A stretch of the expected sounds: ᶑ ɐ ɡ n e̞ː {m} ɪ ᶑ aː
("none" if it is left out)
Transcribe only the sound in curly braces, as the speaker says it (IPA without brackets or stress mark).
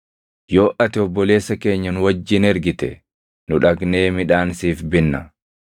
m